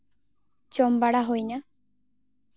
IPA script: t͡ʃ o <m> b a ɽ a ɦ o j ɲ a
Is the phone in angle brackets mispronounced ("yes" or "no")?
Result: no